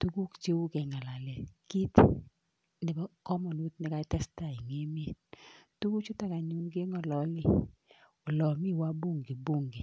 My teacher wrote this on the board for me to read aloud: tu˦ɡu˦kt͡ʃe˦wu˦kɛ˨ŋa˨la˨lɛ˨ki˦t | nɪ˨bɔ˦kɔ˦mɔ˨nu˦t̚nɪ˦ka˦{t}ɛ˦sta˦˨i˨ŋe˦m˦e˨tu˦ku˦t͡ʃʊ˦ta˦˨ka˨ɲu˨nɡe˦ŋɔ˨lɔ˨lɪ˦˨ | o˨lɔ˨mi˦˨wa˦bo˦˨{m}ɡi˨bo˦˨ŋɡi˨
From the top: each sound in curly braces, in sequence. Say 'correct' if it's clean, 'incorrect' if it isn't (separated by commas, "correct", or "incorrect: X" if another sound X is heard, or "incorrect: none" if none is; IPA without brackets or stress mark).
correct, incorrect: ŋ